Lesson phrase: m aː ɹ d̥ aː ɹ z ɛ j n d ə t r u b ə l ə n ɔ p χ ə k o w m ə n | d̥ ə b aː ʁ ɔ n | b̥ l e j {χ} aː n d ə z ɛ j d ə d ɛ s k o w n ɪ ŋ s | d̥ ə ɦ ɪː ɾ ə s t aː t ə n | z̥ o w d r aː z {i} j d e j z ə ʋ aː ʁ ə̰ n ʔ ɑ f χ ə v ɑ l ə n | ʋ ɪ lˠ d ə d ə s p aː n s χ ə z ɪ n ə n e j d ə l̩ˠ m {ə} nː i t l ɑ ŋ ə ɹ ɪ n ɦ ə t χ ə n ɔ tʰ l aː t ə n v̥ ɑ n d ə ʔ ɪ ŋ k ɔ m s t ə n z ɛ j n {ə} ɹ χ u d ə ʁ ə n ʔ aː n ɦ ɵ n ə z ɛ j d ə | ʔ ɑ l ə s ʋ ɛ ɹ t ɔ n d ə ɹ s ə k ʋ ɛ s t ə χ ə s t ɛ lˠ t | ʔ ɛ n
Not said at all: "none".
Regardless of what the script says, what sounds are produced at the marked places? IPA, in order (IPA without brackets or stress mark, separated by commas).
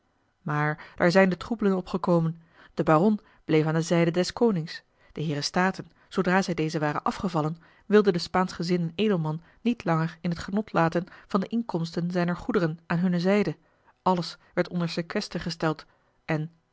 f, ɛ, ɑ, ə